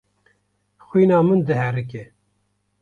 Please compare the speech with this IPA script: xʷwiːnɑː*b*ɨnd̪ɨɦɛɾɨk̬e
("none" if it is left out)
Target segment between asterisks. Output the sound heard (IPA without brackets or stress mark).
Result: m